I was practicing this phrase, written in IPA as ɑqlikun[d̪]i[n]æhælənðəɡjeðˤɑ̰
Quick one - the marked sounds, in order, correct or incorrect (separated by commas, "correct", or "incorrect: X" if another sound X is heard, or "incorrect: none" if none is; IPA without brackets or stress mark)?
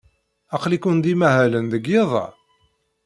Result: correct, incorrect: m